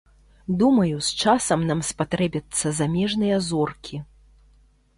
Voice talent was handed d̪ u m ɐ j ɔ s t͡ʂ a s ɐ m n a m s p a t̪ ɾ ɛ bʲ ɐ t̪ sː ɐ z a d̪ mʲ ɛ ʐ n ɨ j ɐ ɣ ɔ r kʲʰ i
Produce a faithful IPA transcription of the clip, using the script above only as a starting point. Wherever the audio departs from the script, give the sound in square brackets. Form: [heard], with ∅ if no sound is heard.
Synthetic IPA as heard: d̪ u m ɐ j [u] s t͡ʂ a s ɐ m n a m s p a t̪ ɾ ɛ bʲ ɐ t̪ sː ɐ z a [∅] mʲ ɛ ʐ n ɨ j ɐ [z] ɔ r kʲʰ i